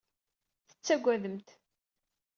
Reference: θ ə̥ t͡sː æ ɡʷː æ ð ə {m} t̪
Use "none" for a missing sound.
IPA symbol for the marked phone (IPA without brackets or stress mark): m